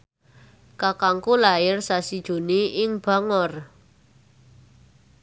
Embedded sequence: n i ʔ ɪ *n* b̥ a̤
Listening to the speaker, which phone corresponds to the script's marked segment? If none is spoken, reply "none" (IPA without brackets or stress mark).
ŋ